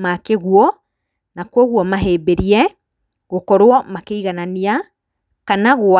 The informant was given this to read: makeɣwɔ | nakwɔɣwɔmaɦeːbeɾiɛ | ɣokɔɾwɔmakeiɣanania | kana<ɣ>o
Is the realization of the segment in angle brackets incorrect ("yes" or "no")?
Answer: no